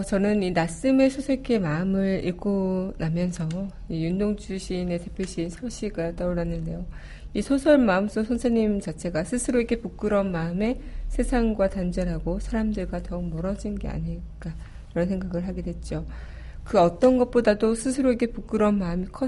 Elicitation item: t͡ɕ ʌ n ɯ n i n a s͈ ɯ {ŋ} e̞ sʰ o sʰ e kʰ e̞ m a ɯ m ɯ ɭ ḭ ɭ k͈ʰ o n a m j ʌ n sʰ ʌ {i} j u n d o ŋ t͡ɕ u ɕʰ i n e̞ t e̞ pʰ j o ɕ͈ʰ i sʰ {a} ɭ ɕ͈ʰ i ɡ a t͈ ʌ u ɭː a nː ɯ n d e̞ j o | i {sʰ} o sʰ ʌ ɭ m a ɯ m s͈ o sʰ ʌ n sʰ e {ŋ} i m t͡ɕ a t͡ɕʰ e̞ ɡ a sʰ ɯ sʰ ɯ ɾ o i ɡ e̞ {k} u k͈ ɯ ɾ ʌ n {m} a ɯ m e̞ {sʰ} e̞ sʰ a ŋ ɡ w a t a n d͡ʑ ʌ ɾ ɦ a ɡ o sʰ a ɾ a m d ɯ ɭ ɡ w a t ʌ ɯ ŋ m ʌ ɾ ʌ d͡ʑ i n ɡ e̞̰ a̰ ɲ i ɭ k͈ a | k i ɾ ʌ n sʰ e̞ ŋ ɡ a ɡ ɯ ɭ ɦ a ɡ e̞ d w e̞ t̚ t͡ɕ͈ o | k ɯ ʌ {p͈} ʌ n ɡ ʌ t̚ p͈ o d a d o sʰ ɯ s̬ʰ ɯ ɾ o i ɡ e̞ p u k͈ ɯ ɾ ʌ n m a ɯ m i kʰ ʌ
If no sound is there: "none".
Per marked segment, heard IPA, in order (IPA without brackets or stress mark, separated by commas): m, i, ʌ, sʰ, ɲ, p, m, sʰ, t͈